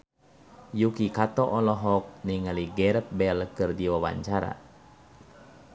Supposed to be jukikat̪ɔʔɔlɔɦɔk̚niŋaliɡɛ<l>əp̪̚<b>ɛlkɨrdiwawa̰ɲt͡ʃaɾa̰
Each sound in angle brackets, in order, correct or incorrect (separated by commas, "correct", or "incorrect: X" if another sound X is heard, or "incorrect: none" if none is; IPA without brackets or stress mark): incorrect: ɾ, correct